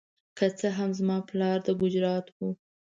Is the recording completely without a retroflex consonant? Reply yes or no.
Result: yes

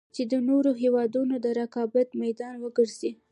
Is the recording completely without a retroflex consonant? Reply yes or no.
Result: yes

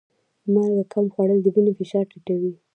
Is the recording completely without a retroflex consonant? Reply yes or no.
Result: no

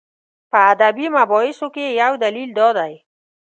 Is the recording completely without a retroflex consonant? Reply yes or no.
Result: yes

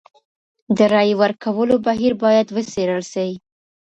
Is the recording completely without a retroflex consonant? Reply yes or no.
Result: yes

